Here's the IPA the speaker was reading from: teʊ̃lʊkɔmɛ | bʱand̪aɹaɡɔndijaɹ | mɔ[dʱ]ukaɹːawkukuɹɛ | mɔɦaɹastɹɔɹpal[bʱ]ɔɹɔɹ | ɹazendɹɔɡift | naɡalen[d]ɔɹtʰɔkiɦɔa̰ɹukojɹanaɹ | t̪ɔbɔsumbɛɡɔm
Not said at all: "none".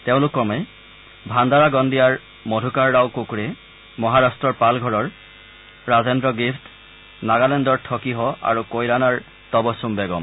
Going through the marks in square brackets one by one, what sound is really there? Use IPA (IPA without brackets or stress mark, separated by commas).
dʱ, ɡʱ, d